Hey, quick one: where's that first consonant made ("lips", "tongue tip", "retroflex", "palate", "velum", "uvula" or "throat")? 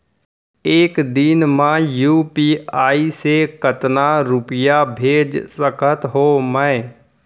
velum